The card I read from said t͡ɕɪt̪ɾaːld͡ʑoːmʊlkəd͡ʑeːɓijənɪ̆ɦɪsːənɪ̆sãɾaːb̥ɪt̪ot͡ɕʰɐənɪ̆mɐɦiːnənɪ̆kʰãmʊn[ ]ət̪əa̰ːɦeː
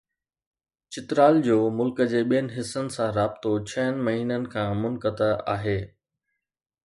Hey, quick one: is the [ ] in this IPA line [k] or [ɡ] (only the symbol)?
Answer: k